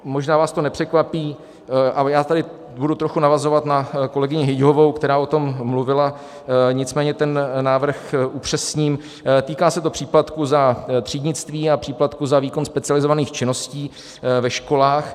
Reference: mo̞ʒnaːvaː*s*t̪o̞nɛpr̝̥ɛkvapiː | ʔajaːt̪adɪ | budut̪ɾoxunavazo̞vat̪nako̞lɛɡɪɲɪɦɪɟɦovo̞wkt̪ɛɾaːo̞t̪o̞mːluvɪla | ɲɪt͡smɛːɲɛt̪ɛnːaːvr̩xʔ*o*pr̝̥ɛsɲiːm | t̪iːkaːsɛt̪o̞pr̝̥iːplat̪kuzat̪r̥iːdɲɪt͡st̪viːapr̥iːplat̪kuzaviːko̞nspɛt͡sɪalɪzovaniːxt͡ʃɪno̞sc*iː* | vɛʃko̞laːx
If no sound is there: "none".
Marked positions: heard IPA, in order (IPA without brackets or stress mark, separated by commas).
s, u, iː